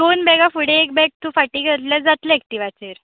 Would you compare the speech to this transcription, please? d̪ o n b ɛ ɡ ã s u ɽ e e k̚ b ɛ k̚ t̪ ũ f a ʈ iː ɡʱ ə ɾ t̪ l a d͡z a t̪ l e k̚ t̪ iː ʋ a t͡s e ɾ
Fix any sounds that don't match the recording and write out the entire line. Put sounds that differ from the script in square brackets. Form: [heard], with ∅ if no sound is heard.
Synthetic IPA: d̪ o n b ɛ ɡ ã [f] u ɽ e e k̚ b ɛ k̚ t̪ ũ f a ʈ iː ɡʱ ə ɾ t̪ l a d͡z a t̪ l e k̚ t̪ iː ʋ a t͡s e ɾ